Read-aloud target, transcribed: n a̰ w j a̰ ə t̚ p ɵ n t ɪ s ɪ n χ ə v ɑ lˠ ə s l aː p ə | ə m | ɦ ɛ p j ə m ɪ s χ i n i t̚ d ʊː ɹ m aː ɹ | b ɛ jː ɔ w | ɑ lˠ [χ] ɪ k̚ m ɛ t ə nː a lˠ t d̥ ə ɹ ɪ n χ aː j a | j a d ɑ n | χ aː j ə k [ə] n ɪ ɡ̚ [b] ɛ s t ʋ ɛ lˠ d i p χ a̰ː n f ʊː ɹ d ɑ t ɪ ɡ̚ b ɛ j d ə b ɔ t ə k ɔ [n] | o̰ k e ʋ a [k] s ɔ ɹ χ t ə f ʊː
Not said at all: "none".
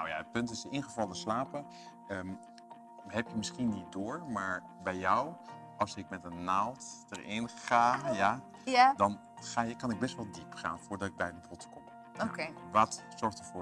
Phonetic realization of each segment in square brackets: s, ɑ, b, m, t

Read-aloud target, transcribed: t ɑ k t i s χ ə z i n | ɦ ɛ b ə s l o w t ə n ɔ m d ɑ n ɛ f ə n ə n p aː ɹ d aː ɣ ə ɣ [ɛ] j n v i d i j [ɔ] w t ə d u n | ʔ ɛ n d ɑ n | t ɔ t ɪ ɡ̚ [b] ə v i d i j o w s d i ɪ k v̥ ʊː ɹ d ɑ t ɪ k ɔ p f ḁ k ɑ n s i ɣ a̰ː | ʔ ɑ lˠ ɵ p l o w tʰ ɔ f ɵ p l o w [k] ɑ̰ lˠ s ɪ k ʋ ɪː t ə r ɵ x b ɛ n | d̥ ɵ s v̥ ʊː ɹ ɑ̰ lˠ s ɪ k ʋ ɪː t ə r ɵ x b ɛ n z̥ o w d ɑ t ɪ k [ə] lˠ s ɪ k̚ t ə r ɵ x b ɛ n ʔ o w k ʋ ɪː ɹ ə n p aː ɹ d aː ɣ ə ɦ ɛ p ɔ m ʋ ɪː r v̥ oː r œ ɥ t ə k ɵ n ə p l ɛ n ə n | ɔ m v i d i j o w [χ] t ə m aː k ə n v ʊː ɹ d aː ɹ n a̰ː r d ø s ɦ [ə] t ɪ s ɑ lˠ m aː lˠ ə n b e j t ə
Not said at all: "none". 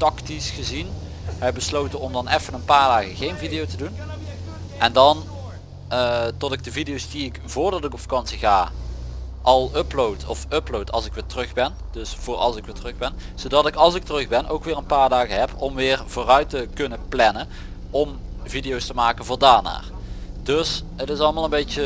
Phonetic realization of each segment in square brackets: e, o, d, t, ɑ, s, ə

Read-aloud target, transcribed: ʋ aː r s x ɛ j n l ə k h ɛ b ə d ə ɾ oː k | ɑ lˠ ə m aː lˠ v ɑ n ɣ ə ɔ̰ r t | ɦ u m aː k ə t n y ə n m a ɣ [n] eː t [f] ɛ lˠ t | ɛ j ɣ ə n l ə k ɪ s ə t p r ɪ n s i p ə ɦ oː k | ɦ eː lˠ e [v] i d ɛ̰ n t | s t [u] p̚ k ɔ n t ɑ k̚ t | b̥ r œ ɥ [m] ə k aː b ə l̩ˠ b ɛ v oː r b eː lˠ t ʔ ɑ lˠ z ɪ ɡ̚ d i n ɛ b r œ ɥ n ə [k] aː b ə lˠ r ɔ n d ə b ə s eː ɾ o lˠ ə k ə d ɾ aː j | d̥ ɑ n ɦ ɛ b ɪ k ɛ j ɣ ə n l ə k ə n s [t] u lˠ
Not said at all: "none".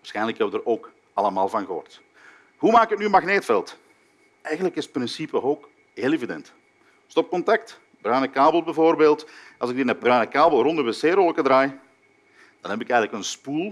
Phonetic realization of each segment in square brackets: n, f, v, ɔ, n, k, p

